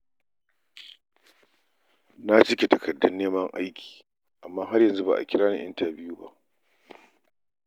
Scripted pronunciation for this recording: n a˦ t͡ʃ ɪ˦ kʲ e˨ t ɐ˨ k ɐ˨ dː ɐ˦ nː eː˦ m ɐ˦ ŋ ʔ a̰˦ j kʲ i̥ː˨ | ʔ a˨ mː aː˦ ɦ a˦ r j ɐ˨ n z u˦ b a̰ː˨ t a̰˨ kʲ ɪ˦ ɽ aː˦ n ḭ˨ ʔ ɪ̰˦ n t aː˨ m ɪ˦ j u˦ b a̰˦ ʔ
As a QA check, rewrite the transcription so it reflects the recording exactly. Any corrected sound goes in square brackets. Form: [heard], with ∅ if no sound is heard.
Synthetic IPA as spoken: n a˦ t͡ʃ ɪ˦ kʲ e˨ t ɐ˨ k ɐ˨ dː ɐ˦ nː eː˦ m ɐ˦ ŋ ʔ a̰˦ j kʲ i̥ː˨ | ʔ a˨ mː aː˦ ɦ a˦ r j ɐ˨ n z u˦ b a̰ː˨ [ʔ] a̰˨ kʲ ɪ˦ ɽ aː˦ n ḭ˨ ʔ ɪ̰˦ n t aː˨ [b] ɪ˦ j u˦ b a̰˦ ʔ